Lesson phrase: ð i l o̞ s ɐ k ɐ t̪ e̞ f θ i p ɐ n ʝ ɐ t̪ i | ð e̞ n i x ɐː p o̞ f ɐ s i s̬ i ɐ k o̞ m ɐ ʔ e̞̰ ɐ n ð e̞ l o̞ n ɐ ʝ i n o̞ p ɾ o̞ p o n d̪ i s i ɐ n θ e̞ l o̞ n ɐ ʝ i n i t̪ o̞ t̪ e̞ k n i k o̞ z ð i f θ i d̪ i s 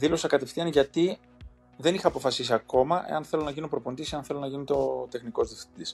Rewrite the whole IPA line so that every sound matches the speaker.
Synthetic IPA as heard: ð i l o̞ s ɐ k ɐ t̪ e̞ f θ i ɐ n ʝ ɐ t̪ i | ð e̞ n i x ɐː p o̞ f ɐ s i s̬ i ɐ k o̞ m ɐ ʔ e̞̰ ɐ n θ e̞ l o̞ n ɐ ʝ i n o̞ p ɾ o̞ p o n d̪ i s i ɐ n θ e̞ l o̞ n ɐ ʝ i n i t̪ o̞ t̪ e̞ x n i k o̞ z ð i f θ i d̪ i s